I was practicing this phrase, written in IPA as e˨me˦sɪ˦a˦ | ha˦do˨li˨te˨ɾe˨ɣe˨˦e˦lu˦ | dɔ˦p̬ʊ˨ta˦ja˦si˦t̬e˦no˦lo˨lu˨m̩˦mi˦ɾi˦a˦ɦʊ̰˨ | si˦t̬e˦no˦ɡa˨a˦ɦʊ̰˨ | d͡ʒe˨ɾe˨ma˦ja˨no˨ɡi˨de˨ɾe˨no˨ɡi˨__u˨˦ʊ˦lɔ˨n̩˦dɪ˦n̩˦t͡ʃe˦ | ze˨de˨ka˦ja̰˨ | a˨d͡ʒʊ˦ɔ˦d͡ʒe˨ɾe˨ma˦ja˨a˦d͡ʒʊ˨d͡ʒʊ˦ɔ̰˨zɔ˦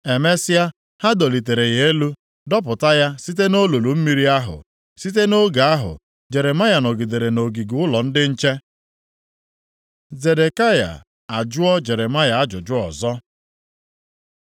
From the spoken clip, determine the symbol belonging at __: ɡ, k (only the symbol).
ɡ